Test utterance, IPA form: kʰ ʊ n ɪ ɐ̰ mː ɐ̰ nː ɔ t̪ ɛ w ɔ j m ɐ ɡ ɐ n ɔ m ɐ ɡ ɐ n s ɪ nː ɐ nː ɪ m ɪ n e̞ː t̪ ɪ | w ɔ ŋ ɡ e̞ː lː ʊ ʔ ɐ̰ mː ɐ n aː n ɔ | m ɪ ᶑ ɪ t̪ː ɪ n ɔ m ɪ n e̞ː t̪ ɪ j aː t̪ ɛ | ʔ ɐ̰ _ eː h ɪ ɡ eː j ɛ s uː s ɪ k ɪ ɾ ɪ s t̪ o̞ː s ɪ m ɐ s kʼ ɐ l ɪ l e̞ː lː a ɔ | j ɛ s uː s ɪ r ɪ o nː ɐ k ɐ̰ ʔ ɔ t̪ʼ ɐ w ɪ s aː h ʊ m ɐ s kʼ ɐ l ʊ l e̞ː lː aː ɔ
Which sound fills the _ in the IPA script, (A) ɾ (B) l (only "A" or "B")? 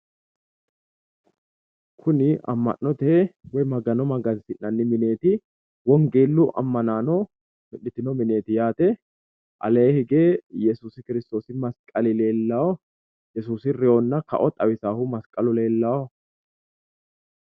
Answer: B